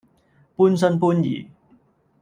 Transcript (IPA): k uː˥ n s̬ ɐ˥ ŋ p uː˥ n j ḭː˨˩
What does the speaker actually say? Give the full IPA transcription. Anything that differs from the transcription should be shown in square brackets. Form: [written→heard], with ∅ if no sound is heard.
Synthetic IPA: [k→p] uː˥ n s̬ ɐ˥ [ŋ→n] p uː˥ n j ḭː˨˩